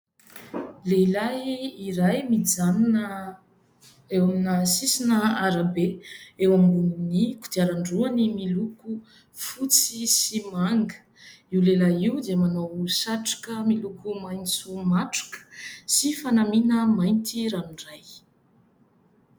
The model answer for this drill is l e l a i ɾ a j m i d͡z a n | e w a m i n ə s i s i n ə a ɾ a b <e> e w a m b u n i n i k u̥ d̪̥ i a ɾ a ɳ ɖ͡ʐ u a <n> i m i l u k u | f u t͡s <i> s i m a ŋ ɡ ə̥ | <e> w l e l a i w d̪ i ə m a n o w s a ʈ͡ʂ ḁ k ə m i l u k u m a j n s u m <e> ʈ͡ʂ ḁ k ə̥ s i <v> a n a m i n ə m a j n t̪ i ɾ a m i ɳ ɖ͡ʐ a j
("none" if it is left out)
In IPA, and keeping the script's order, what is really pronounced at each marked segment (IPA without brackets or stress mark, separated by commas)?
e, n, i, i, a, f